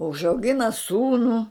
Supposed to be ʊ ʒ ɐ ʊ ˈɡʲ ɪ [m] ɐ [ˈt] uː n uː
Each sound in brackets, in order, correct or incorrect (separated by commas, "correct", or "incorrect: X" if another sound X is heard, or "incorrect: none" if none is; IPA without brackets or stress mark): incorrect: n, incorrect: s